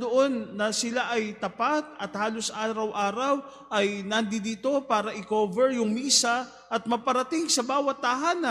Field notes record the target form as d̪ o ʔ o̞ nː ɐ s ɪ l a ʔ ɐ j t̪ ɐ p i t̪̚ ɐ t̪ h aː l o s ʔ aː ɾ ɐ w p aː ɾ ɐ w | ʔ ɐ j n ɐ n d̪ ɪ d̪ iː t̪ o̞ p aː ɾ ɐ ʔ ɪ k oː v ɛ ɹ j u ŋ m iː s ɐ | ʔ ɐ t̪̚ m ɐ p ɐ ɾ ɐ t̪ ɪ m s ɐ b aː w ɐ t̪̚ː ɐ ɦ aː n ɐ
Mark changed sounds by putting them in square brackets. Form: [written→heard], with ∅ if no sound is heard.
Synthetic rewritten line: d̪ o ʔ o̞ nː ɐ s ɪ l a ʔ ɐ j t̪ ɐ p [i→a] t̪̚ ɐ t̪ h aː l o s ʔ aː ɾ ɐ w [p→ʔ] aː ɾ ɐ w | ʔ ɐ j n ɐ n d̪ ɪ d̪ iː t̪ o̞ p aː ɾ ɐ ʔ ɪ k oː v ɛ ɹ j [u→ʊ] ŋ m iː s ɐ | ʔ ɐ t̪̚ m ɐ p ɐ ɾ ɐ t̪ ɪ [m→ŋ] s ɐ b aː w ɐ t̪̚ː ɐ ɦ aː n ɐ